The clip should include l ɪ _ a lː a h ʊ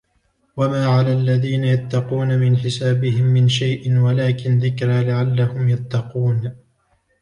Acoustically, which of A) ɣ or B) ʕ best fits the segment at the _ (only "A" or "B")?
B